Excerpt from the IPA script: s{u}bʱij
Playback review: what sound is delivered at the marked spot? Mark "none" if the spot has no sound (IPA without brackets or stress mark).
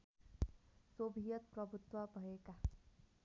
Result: o